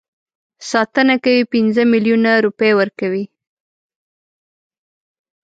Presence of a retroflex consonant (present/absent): absent